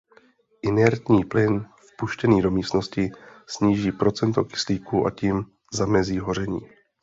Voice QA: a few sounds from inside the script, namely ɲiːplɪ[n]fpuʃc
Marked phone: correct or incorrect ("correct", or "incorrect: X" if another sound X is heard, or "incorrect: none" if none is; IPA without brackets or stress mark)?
correct